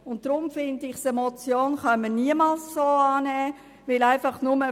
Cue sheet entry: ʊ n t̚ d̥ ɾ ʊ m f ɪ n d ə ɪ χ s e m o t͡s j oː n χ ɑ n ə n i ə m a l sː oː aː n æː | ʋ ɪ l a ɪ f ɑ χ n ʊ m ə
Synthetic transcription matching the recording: ʊ n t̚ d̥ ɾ ʊ m f ɪ n d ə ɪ χ s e m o t͡s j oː n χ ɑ m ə n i ə m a l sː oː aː n ɛː | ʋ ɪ l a ɪ f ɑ χ n ʊ m ə